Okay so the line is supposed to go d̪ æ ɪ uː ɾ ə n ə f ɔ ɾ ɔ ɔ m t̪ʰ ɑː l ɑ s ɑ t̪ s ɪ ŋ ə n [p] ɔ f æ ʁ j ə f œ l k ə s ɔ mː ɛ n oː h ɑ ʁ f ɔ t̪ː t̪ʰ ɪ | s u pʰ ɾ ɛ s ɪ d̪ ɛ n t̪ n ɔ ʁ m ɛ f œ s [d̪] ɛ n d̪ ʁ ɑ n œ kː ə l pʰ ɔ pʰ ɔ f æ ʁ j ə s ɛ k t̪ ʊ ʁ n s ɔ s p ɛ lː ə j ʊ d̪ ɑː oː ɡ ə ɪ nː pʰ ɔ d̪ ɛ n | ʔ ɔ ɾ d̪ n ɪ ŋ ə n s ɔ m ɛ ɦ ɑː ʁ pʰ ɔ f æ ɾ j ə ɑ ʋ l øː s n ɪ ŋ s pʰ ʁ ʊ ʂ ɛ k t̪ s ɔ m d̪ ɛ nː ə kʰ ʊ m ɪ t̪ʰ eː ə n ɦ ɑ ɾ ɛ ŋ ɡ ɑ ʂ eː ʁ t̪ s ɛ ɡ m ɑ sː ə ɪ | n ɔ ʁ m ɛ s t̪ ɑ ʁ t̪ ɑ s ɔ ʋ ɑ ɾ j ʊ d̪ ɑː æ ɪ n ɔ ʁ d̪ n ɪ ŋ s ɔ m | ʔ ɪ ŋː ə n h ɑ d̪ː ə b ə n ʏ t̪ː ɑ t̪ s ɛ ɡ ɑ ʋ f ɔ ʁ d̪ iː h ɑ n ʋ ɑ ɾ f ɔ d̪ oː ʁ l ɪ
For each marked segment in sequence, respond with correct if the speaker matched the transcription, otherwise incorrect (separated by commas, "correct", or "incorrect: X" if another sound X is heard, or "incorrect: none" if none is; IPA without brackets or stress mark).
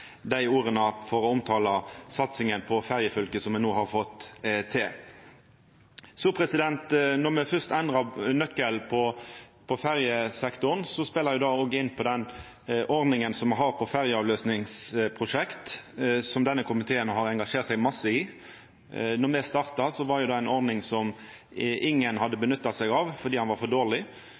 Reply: incorrect: pʰ, incorrect: t̪